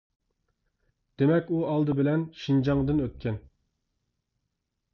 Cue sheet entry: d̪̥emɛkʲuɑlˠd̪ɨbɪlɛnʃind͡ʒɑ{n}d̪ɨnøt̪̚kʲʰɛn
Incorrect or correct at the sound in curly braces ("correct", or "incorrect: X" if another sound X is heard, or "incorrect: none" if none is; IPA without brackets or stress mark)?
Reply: incorrect: ŋ